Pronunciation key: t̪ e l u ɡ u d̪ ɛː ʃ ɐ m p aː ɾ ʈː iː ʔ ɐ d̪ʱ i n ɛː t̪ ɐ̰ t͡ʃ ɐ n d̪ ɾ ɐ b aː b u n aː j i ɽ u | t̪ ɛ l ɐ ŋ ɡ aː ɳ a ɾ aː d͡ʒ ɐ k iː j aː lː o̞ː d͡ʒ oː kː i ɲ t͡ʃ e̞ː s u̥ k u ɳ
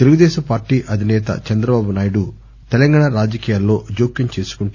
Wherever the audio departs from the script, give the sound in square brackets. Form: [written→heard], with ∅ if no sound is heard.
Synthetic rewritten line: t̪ e l u ɡ u d̪ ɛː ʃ ɐ m p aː ɾ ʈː iː ʔ ɐ d̪ʱ i n ɛː t̪ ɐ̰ t͡ʃ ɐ n d̪ ɾ ɐ b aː b u n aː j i ɽ u | t̪ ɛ l ɐ ŋ ɡ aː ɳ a ɾ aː d͡ʒ ɐ k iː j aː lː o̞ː d͡ʒ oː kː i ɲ t͡ʃ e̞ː s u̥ k u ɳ